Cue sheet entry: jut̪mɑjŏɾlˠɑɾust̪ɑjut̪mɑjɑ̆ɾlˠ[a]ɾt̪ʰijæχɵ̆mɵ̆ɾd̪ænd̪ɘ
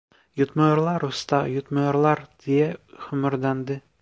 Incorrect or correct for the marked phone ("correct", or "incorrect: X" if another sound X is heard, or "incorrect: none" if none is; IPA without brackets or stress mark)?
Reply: incorrect: ɑ